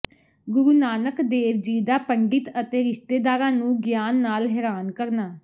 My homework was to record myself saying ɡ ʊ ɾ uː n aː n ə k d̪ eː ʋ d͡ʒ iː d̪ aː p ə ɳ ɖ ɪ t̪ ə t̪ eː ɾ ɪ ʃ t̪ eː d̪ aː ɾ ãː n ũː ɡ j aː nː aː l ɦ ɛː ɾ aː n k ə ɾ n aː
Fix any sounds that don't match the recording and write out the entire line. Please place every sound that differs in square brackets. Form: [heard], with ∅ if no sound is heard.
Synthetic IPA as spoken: ɡ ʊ ɾ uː n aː n ə k d̪ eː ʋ d͡ʒ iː d̪ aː p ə ɳ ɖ ɪ t̪ ə t̪ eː ɾ ɪ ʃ t̪ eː d̪ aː ɾ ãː n ũː ɡ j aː nː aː l ɦ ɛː ɾ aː n k ə ɾ n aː